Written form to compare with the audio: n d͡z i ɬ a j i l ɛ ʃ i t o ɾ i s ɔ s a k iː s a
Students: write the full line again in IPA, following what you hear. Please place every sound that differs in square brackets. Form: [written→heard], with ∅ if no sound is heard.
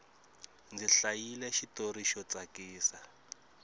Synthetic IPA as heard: n d͡z i ɬ a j i l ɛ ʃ i t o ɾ i [s→ʃ] ɔ [s→t͡s] a k iː s a